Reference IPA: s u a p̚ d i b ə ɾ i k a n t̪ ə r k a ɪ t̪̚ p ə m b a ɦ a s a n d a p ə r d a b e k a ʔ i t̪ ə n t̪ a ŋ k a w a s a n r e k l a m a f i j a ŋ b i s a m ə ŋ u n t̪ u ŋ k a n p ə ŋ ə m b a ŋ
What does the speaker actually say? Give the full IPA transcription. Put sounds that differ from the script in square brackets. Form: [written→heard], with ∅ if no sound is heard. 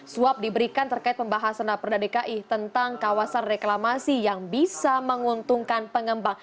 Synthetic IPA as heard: s u a p̚ d i b ə ɾ i k a n t̪ ə r k a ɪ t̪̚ p ə m b a ɦ a s a n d a p ə r d a [b→d] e k a ʔ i t̪ ə n t̪ a ŋ k a w a s a n r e k l a m a [f→s] i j a ŋ b i s a m ə ŋ u n t̪ u ŋ k a n p ə ŋ ə m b a ŋ